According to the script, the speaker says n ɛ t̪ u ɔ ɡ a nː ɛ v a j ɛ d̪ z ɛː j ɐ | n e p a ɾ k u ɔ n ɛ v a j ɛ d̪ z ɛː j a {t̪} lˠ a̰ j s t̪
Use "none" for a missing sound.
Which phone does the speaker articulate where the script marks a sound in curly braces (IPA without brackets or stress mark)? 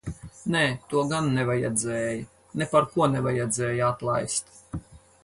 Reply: t̪